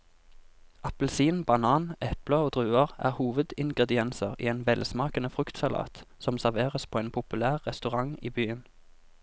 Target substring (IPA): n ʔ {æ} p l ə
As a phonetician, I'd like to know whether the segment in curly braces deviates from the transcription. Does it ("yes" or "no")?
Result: yes